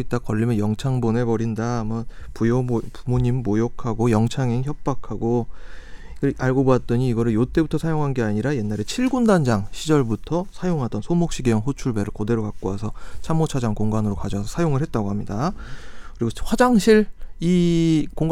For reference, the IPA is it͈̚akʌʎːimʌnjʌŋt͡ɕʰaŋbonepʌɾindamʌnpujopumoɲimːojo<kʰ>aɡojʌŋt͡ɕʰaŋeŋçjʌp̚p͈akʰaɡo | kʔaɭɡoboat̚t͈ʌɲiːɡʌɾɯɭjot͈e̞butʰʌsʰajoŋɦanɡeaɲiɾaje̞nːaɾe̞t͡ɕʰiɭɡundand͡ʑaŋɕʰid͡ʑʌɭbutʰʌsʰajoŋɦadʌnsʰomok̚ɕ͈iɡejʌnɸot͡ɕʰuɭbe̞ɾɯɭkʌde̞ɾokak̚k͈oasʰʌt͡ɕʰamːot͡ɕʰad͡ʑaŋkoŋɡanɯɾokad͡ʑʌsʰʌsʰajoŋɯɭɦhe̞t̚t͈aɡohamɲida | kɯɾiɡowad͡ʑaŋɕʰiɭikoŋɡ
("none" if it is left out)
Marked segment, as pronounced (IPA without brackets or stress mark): kʰ